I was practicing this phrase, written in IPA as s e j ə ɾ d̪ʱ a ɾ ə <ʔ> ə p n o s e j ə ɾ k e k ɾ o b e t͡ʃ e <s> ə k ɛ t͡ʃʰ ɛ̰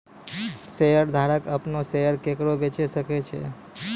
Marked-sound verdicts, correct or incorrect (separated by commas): incorrect, correct